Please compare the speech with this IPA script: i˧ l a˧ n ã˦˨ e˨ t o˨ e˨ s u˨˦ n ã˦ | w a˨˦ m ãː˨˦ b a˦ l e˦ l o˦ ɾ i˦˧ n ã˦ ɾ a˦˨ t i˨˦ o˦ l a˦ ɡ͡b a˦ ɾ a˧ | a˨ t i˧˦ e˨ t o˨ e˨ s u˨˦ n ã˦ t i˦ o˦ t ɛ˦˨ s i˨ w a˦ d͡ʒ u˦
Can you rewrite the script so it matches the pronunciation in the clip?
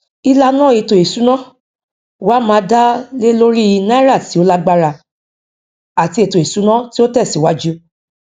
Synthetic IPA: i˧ l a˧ n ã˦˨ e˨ t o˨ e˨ s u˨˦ n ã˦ | w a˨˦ m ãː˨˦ d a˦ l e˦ l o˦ ɾ i˦˧ n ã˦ ɾ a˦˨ t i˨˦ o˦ l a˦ ɡ͡b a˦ ɾ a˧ | a˨ t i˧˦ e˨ t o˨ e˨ s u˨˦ n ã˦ t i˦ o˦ t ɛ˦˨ s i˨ w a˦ d͡ʒ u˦